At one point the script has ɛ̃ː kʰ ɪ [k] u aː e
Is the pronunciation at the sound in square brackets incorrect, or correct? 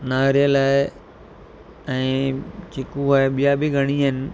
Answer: correct